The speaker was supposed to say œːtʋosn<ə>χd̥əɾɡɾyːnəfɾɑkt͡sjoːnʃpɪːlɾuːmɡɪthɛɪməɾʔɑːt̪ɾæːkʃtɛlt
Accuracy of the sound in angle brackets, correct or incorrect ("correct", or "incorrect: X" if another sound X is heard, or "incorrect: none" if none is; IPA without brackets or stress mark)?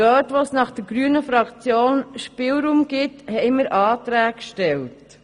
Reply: incorrect: ɑ